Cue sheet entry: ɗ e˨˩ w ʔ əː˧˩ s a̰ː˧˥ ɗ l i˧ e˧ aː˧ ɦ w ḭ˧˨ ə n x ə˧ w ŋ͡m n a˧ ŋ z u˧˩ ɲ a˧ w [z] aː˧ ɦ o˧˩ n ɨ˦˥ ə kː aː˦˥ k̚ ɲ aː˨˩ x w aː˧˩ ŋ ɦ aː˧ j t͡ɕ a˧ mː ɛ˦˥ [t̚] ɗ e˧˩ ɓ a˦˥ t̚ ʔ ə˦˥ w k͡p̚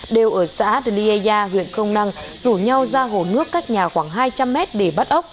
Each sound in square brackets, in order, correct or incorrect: correct, correct

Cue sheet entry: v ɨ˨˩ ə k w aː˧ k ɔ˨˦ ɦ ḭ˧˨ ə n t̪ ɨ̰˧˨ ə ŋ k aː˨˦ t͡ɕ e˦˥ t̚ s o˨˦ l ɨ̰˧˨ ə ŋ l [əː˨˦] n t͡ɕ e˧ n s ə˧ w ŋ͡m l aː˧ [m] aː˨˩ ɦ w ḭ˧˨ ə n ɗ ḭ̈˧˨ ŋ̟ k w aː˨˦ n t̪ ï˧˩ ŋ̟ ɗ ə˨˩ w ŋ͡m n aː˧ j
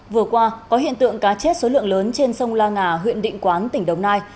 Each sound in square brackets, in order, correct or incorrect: correct, incorrect: ŋ

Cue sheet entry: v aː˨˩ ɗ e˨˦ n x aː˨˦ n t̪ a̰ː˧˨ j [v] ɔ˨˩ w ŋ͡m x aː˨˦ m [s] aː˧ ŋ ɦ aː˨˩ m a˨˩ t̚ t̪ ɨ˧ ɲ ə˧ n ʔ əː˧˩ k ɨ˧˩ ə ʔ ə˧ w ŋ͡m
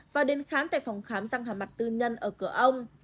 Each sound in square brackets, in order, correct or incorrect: incorrect: f, incorrect: z

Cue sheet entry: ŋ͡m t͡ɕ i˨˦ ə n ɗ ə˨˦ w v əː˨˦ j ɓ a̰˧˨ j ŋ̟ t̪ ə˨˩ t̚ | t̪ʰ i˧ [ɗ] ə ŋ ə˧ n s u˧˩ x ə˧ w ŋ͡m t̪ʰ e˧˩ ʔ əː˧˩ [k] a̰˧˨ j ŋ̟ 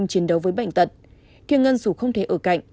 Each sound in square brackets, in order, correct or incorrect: incorrect: none, correct

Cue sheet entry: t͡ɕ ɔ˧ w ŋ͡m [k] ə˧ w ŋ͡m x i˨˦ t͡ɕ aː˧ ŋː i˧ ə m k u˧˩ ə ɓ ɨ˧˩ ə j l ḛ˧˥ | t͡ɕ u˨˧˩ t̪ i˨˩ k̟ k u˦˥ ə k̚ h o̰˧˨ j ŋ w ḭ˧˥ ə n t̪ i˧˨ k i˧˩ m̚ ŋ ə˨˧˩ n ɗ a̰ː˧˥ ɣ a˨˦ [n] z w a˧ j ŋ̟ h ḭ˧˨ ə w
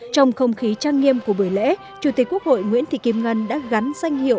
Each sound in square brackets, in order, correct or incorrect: incorrect: x, correct

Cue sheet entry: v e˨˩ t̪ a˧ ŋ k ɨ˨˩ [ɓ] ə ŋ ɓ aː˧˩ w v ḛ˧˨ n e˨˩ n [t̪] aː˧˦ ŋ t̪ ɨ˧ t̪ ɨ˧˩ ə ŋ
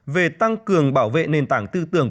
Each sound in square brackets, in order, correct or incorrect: incorrect: none, correct

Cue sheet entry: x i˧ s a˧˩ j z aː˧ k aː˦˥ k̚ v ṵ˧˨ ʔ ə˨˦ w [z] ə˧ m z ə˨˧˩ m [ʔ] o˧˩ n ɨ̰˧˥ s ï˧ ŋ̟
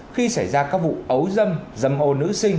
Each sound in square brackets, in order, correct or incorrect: correct, correct

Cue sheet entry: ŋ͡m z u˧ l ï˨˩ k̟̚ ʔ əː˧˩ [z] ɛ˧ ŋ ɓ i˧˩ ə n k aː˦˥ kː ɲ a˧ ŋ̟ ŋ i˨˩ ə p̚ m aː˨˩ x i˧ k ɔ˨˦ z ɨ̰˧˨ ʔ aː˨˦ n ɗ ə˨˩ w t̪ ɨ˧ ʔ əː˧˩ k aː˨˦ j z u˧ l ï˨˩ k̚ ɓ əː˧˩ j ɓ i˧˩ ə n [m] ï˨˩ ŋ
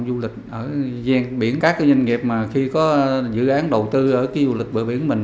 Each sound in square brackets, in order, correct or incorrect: correct, correct

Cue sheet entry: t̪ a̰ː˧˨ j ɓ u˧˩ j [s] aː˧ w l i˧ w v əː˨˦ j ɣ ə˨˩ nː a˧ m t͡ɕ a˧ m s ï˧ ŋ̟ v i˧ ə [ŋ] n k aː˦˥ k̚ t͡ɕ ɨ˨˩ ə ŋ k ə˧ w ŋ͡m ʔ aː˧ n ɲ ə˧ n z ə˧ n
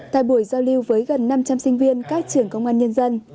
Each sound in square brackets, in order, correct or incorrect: incorrect: z, incorrect: none

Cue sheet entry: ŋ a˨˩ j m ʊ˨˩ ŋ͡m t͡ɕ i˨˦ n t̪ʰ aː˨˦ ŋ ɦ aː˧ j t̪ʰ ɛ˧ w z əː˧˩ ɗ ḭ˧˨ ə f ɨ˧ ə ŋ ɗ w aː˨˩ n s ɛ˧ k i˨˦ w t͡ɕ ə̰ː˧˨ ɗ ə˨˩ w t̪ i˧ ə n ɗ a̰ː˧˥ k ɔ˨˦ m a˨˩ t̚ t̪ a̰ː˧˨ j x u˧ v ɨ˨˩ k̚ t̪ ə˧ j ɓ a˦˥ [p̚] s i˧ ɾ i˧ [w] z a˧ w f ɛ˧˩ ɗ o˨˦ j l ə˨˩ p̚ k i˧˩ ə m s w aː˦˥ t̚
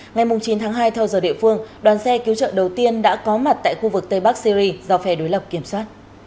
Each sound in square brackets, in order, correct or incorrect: incorrect: k̚, incorrect: none

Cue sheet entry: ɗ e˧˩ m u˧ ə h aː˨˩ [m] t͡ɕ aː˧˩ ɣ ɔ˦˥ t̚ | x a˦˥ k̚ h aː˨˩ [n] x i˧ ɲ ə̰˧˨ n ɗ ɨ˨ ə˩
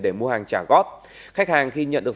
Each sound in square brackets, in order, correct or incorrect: incorrect: ŋ, incorrect: ŋ

